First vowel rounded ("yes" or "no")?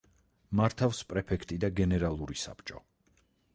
no